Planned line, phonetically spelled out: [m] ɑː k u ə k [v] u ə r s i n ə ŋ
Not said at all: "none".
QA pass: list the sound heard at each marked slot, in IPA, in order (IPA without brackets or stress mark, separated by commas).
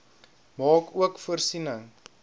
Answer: m, f